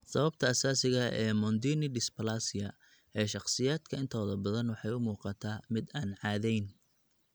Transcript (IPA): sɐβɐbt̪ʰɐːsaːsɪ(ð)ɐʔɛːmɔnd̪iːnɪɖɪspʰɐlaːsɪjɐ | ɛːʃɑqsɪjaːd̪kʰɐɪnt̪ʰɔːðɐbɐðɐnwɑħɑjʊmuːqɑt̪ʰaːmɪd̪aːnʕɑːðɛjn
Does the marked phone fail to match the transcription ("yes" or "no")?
yes